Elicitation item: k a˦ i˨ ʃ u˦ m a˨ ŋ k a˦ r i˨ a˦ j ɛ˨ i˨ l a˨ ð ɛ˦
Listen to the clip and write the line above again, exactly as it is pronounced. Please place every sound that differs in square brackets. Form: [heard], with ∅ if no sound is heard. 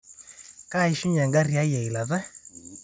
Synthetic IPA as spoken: k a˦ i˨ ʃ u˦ [ɲ] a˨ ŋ [ɡ] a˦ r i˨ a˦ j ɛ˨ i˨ l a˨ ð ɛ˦

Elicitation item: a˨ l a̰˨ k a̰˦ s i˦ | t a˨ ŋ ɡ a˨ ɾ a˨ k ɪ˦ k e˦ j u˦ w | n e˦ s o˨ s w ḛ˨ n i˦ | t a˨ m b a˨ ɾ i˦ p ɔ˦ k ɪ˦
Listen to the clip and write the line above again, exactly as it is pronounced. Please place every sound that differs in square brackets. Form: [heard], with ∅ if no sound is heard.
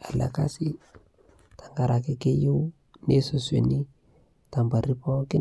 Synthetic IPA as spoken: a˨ l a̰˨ k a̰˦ s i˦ | t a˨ ŋ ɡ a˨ ɾ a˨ k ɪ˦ k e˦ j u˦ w | n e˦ s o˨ s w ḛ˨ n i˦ | t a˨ m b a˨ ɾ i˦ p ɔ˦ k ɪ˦

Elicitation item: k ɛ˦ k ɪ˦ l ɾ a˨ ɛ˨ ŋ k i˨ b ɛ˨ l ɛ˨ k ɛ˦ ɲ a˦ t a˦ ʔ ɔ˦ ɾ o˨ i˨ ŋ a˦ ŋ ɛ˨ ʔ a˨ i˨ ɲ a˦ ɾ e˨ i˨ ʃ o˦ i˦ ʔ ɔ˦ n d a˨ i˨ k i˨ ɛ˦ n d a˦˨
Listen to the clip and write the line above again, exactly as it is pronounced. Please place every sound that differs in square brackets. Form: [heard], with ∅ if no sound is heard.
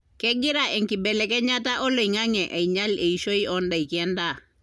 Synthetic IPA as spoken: k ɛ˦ [ɡ] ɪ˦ [∅] ɾ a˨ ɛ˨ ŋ k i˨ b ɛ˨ l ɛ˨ k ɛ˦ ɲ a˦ t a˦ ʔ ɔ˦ [l] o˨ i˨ ŋ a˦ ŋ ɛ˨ ʔ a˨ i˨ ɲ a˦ [l] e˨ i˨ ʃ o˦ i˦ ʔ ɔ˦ n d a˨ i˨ k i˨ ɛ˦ n d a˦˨

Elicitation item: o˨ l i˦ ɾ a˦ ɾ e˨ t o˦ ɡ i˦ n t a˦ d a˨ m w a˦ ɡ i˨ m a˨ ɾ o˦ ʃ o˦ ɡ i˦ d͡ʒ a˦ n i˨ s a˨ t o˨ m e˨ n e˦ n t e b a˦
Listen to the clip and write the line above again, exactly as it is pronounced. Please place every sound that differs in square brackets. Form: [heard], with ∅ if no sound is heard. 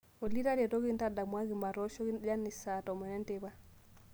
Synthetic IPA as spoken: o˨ l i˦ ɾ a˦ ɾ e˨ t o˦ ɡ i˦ n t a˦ d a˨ m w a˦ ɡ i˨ m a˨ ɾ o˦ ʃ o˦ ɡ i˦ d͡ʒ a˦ n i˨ s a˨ t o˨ m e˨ n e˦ n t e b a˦

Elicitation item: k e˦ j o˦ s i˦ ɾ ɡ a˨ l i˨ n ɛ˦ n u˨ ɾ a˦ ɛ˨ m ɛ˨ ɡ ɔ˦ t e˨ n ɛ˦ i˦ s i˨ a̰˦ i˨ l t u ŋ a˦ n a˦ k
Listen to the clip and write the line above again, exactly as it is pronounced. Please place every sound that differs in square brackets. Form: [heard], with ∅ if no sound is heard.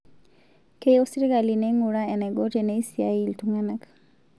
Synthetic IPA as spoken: k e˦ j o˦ s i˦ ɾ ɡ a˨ l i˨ n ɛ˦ [ŋ] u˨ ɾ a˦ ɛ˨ [n] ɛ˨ ɡ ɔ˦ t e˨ n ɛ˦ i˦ s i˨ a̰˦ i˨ l t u ŋ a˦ n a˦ k

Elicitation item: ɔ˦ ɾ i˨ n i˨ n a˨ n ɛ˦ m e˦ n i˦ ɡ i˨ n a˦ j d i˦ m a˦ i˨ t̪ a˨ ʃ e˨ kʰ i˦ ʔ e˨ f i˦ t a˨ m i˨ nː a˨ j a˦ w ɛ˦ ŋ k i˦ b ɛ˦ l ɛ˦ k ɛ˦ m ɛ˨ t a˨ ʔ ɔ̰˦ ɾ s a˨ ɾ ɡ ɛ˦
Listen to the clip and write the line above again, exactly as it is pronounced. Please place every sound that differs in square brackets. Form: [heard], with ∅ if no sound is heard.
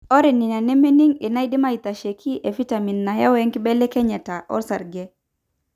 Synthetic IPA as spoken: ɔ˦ ɾ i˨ n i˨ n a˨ n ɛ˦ m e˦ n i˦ [ŋ] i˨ n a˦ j d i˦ m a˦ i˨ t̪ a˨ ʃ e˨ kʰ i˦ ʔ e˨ f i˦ t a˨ m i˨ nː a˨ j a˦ w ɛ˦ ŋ k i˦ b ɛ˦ l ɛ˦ k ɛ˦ [ɲ] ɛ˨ t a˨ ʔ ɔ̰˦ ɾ s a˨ ɾ ɡ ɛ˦

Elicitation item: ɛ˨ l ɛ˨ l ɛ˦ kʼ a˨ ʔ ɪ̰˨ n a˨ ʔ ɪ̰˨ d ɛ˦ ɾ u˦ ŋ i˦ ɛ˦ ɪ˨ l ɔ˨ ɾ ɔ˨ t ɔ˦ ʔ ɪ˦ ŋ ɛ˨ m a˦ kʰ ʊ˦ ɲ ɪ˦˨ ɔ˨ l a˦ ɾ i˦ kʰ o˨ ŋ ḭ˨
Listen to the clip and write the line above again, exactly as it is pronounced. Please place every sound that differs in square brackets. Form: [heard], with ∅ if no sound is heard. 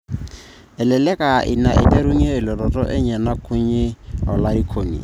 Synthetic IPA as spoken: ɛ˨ l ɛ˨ l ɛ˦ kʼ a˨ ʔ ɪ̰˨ n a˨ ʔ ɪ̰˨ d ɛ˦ ɾ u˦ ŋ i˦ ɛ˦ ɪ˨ l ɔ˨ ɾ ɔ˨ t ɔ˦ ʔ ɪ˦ [ɲ] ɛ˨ [n] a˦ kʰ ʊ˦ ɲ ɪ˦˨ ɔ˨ l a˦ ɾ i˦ kʰ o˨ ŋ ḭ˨

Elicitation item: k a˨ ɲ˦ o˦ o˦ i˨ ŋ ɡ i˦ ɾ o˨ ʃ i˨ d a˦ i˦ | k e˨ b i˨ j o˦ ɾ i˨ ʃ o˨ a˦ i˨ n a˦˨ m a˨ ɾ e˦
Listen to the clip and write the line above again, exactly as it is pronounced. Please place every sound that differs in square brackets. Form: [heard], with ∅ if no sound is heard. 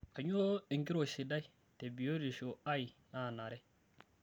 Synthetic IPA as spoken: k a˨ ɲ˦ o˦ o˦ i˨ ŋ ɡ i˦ ɾ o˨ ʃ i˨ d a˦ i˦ | [t] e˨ b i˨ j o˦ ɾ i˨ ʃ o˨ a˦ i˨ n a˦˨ [n] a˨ ɾ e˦

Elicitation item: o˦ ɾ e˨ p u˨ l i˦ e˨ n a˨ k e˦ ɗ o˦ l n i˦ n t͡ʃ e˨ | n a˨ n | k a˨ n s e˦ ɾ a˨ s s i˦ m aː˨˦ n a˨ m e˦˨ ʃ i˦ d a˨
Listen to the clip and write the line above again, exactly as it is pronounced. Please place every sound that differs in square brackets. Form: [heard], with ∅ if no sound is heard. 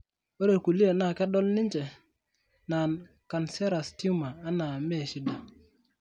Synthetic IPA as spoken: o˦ ɾ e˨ [k] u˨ l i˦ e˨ n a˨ k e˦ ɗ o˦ l n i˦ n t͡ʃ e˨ | n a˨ n | k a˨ n s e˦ ɾ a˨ s [t] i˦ m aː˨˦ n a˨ m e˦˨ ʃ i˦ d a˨

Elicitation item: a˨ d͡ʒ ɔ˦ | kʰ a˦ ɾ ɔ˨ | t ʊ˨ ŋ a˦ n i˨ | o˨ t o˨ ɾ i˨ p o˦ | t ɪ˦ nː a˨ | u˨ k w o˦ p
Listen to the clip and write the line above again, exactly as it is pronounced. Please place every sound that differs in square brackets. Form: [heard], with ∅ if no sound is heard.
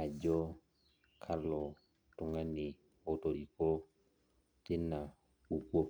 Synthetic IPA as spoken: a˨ d͡ʒ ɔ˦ | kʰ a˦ [l] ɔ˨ | t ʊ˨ ŋ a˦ n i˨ | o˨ t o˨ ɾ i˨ [k] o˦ | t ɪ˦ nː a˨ | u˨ k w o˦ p

